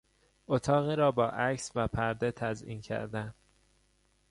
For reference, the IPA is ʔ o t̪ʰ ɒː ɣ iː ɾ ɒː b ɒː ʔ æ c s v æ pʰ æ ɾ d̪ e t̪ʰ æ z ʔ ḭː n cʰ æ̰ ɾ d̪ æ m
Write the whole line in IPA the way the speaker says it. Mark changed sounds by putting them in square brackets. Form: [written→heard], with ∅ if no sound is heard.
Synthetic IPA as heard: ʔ o t̪ʰ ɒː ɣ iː ɾ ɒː b ɒː ʔ æ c s v æ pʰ æ ɾ d̪ e t̪ʰ æ z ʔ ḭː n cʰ æ̰ ɾ d̪ æ [m→n]